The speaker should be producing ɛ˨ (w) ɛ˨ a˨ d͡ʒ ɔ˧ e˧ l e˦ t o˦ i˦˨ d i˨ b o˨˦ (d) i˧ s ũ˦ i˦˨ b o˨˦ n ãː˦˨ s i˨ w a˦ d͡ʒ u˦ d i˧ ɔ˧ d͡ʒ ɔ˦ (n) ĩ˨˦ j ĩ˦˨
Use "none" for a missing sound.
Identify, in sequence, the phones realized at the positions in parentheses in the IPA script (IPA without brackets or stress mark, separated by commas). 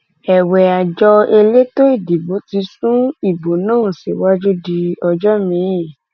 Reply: w, t, m